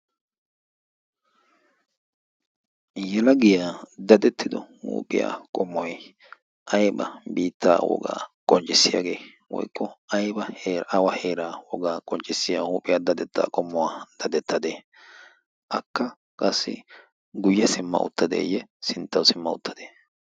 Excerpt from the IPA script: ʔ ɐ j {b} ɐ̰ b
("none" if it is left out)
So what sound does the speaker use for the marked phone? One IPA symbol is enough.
b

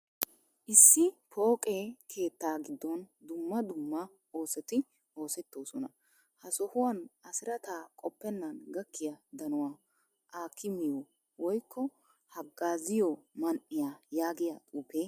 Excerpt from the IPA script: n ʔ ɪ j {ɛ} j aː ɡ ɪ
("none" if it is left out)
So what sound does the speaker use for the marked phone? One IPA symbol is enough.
a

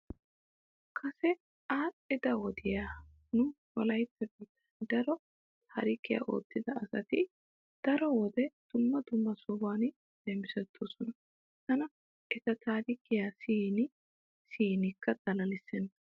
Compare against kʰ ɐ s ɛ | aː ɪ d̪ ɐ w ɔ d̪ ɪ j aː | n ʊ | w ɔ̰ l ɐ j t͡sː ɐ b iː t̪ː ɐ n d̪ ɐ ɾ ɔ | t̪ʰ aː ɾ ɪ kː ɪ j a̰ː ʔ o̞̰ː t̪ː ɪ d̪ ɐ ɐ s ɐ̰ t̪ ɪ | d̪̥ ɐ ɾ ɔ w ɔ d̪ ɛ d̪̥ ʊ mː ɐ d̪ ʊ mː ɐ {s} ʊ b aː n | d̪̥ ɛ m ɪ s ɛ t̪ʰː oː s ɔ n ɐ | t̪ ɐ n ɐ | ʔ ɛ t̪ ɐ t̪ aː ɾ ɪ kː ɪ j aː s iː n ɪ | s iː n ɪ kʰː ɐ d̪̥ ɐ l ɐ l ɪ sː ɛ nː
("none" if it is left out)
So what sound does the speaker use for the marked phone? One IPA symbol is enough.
s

